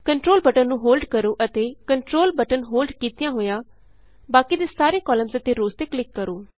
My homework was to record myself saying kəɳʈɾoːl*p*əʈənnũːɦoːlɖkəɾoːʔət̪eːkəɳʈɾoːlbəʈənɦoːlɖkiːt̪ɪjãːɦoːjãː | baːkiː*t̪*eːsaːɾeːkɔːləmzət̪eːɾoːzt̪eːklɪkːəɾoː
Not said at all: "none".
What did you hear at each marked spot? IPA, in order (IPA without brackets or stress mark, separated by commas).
b, d̪